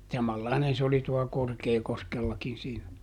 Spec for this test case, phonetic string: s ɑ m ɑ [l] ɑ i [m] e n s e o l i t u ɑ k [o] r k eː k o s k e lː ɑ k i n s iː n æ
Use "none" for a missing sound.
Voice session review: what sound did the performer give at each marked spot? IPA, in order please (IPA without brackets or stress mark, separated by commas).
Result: lː, n, o